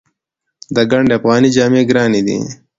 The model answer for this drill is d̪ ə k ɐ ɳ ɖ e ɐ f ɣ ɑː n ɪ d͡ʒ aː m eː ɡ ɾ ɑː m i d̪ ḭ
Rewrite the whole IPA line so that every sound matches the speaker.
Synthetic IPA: d̪ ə ɡ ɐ ɳ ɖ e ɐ f ɣ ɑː n i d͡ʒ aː m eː ɡ ɾ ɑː n i d̪ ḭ